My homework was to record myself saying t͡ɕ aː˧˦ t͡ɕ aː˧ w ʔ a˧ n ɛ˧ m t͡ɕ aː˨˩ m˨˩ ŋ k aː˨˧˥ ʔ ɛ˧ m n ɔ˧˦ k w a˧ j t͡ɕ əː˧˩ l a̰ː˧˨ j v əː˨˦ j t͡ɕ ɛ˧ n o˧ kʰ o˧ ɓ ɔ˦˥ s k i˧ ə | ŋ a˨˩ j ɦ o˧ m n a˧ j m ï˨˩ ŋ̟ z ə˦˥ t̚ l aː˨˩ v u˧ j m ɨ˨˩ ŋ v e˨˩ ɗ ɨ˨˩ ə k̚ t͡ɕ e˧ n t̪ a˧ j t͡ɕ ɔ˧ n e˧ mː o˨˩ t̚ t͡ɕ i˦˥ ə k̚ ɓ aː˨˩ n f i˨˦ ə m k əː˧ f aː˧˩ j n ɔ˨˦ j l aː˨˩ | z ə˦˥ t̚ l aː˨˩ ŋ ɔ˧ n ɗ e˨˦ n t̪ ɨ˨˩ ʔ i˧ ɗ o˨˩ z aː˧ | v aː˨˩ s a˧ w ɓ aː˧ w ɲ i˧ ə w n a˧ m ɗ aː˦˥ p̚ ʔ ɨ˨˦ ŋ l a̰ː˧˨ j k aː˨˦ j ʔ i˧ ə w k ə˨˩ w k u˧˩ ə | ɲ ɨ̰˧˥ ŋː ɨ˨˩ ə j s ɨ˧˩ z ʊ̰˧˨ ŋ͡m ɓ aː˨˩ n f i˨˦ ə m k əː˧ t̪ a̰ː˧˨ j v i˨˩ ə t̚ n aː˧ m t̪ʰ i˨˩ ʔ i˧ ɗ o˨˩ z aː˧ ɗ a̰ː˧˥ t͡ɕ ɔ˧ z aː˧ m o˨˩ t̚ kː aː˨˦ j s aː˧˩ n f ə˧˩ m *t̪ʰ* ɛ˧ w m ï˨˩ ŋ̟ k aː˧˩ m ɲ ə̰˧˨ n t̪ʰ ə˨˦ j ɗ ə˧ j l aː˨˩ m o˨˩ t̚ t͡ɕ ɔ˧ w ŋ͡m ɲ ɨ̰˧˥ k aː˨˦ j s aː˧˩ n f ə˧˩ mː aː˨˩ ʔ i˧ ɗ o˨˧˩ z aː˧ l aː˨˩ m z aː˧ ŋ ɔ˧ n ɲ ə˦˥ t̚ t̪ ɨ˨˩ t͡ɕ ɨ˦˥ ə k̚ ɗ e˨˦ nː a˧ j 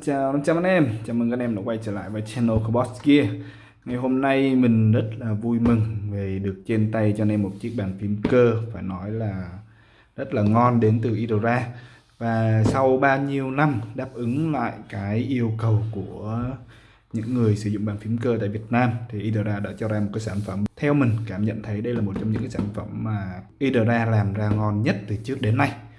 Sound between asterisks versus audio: correct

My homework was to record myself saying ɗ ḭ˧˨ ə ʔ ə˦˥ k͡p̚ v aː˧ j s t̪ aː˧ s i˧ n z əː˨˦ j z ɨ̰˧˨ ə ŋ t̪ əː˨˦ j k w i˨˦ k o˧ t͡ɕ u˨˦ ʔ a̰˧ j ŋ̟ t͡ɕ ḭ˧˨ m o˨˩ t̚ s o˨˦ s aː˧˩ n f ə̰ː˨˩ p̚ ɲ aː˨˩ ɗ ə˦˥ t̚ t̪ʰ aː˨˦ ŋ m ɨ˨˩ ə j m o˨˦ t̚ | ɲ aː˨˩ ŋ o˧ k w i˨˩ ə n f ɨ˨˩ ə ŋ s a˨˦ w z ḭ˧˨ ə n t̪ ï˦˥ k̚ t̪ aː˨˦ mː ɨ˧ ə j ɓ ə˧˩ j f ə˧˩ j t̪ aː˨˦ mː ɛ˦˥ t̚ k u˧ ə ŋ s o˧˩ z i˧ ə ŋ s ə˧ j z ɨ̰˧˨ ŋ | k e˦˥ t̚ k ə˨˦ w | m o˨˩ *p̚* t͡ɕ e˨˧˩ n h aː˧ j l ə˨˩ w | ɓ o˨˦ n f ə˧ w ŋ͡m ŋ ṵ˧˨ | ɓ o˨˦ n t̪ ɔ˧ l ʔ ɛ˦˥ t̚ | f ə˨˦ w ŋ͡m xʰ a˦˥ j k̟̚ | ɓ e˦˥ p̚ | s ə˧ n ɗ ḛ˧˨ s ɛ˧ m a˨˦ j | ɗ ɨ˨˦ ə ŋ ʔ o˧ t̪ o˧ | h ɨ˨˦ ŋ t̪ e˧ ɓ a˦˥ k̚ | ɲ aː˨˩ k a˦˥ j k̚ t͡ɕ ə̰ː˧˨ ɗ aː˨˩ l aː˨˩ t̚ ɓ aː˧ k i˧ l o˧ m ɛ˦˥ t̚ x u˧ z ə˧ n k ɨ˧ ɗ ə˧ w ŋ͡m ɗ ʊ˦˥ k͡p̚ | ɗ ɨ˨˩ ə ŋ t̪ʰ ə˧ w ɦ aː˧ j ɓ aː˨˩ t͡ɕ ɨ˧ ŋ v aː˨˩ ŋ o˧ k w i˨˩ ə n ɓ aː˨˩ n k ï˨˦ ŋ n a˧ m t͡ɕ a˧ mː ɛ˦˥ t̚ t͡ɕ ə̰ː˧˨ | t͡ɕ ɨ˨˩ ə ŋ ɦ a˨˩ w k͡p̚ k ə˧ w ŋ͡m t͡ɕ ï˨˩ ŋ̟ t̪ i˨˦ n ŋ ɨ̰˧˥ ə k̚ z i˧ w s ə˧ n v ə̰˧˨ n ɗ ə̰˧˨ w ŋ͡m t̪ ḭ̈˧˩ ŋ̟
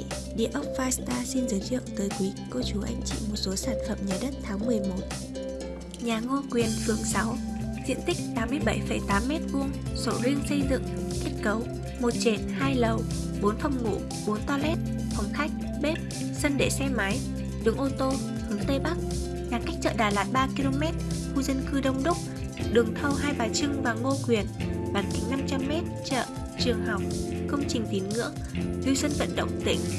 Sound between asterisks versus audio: incorrect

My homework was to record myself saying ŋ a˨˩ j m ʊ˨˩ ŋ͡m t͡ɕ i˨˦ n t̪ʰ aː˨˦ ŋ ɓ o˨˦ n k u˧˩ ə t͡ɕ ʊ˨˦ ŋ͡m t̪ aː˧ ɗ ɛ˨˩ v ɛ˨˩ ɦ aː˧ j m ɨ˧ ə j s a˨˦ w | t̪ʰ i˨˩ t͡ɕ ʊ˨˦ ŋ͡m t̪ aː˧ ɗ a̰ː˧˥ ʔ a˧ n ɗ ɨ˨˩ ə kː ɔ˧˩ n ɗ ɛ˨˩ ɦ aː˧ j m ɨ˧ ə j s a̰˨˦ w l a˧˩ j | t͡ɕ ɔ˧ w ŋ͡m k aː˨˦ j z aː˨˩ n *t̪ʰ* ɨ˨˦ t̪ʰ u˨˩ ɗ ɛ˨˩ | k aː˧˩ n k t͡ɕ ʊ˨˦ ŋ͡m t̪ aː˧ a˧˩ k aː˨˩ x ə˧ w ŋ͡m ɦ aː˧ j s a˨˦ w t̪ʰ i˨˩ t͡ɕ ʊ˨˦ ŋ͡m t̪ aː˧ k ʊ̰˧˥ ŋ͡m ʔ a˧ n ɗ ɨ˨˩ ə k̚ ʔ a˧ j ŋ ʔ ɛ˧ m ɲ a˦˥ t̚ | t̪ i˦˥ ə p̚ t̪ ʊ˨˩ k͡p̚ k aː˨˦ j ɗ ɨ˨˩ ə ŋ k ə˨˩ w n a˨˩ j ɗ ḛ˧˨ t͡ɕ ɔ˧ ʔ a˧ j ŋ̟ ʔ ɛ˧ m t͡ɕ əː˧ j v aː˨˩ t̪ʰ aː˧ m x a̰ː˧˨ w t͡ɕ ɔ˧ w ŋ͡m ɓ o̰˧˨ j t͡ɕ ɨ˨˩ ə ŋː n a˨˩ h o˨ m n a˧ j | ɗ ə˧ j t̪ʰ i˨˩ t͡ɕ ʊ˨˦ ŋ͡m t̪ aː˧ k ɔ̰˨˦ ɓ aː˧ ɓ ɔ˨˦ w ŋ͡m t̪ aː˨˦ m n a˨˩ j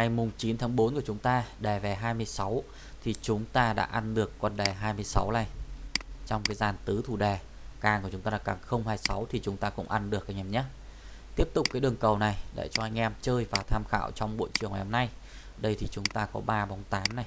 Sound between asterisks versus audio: incorrect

